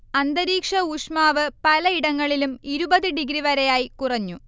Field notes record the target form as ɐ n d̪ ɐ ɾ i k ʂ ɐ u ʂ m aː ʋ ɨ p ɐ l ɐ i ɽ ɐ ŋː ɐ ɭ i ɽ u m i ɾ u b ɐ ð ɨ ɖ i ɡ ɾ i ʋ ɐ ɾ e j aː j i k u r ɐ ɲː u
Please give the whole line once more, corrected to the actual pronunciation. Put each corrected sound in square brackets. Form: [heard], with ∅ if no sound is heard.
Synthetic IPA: ɐ n d̪ ɐ ɾ [iː] k ʂ ɐ u ʂ m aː ʋ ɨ p ɐ l ɐ i ɽ ɐ ŋː ɐ ɭ i [l] u m i ɾ u b ɐ ð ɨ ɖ i ɡ ɾ i ʋ ɐ ɾ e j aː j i k u r ɐ ɲː u